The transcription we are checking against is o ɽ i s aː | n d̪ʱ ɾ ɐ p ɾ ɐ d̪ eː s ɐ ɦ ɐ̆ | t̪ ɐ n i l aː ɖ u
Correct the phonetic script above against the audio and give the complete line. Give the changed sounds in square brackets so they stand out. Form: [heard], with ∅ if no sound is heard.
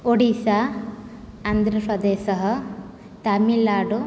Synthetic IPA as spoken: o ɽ i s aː | n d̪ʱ ɾ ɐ p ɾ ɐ d̪ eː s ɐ ɦ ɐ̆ | t̪ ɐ [m] i l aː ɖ u